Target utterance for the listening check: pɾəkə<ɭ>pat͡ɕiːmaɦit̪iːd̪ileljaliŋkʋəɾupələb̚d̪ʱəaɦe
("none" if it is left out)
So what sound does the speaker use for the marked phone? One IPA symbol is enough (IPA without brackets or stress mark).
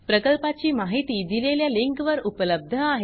l